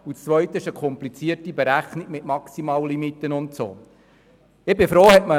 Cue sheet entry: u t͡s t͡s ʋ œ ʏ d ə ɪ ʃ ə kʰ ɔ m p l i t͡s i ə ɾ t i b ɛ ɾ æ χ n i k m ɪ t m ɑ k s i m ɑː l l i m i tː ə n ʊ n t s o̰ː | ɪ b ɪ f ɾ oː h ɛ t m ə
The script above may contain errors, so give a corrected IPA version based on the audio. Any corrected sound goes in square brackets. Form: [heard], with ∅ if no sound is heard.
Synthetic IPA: u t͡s t͡s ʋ œ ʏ [t] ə ɪ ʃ ə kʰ ɔ m p l i t͡s i ə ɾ t i b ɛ ɾ æ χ n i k m ɪ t m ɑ k s i m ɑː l l i m i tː ə n ʊ n t s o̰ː | ɪ b ɪ f ɾ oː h ɛ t m ə